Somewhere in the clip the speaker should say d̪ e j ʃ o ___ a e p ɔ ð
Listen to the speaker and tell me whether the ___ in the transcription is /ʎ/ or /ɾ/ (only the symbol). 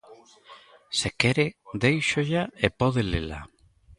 ʎ